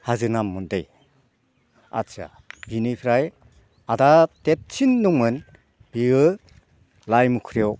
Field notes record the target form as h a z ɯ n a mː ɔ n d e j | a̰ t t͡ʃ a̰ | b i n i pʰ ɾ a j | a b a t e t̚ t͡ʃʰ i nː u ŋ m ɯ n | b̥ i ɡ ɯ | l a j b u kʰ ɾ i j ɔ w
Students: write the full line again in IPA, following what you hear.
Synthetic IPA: h a z ɯ n a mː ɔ n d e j | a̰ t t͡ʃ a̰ | b i n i pʰ ɾ a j | a d a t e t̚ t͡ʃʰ i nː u ŋ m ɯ n | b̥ i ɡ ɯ | l a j m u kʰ ɾ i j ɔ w